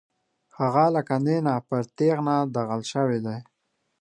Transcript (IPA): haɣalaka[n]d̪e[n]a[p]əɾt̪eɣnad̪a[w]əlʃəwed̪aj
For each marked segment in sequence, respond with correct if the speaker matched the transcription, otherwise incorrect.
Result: correct, correct, correct, incorrect: ɣ

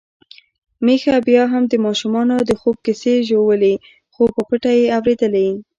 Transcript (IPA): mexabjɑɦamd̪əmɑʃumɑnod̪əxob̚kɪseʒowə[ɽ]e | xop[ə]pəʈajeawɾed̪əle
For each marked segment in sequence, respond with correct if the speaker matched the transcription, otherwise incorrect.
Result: incorrect: l, correct

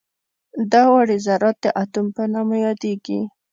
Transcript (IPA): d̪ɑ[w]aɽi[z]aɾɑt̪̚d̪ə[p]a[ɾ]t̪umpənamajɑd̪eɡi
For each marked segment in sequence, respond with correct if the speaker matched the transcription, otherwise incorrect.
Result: correct, correct, incorrect: ʔ, incorrect: none

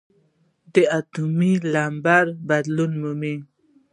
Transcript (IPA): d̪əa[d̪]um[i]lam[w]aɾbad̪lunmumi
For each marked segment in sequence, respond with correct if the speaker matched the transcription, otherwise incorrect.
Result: incorrect: t̪, correct, incorrect: b

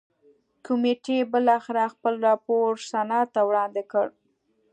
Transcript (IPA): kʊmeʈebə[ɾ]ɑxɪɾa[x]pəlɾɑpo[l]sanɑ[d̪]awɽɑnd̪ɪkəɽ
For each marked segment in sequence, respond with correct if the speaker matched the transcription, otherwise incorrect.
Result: incorrect: l, correct, incorrect: ɾ, incorrect: t̪

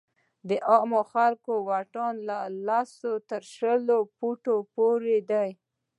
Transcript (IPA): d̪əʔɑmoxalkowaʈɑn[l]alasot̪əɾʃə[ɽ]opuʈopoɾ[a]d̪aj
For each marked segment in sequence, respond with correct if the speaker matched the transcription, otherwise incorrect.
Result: correct, incorrect: l, incorrect: e

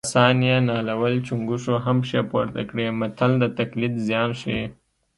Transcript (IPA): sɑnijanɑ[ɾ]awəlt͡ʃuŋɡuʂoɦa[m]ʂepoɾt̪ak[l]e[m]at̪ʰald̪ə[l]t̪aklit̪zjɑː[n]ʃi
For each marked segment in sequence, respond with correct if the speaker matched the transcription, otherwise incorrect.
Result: incorrect: l, correct, incorrect: ɽ, correct, incorrect: none, correct

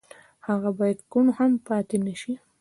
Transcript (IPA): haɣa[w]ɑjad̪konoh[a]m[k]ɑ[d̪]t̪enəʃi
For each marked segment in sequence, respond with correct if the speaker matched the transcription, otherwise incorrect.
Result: incorrect: b, correct, incorrect: p, incorrect: none

